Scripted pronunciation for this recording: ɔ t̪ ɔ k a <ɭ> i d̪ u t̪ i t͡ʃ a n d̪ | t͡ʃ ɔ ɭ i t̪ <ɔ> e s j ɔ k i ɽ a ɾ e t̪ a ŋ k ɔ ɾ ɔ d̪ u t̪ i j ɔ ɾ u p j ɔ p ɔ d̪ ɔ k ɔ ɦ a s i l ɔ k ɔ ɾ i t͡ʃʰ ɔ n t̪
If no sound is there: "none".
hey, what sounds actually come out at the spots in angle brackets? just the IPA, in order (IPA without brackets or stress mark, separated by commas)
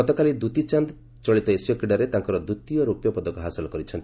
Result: l, ɔ